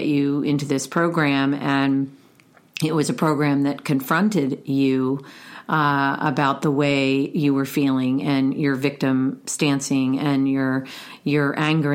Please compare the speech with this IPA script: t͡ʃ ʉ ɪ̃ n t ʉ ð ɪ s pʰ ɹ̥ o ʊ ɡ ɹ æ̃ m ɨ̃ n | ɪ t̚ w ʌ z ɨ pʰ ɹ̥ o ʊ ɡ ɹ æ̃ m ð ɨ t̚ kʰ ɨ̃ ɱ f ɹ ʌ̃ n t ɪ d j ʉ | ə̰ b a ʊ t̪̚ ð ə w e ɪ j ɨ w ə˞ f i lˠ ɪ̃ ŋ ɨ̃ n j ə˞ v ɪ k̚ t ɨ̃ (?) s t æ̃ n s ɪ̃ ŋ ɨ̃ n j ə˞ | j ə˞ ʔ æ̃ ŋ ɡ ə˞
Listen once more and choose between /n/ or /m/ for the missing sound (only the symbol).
m